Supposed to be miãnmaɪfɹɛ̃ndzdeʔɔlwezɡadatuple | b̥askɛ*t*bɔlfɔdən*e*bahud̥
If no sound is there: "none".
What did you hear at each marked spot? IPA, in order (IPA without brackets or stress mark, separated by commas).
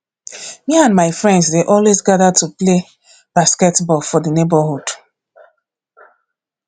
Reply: t, e